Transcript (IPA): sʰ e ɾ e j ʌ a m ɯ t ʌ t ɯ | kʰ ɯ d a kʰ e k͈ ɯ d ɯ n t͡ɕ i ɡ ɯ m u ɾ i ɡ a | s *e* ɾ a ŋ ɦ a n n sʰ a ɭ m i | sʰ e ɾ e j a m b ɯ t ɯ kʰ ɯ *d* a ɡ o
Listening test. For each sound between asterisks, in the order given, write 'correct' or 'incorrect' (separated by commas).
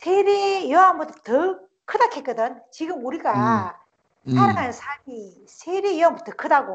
incorrect, correct